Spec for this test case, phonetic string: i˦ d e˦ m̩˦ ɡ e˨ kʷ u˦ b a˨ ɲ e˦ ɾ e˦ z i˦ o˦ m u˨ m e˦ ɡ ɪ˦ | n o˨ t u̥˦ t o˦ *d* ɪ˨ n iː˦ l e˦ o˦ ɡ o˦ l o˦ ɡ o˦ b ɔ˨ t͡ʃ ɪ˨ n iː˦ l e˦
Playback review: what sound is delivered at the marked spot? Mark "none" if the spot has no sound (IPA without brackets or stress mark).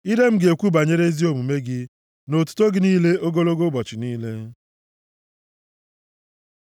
ɡ